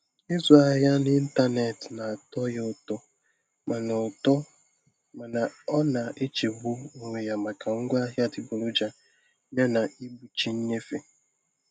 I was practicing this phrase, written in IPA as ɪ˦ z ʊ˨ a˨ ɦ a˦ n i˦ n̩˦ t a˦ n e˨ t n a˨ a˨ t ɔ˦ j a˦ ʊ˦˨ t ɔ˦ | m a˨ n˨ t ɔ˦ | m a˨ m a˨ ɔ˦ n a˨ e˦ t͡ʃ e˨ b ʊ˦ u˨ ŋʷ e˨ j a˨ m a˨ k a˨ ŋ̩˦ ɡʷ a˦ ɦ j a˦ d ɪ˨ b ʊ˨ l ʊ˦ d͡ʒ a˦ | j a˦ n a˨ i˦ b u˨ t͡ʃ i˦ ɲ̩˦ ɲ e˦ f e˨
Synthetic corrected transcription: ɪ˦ z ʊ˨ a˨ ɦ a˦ n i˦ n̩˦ t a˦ n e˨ t n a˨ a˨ t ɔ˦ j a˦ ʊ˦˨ t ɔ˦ | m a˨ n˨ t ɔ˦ | m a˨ n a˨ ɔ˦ n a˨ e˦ t͡ʃ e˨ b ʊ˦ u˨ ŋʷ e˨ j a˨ m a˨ k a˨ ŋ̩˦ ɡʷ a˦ ɦ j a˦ d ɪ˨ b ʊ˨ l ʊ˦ d͡ʒ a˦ | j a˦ n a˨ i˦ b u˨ t͡ʃ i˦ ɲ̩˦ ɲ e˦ f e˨